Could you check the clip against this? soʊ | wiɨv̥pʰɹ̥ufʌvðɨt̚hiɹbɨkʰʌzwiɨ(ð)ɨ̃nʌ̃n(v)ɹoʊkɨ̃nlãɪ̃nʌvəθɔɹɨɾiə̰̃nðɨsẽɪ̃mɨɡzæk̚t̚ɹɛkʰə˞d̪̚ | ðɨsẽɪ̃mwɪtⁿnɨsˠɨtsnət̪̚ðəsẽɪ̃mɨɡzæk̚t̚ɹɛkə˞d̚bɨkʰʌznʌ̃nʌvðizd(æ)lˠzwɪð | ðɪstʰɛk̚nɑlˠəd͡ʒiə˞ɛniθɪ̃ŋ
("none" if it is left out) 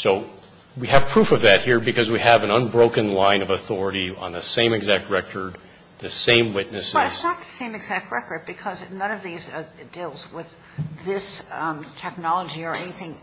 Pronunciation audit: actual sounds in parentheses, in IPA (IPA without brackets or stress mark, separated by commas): v, b, i